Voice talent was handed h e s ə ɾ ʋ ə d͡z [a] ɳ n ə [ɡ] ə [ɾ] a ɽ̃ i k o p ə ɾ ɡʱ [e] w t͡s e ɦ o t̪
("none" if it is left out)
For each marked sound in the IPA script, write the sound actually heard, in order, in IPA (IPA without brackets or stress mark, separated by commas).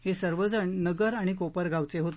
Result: ə, ɡ, ɾ, a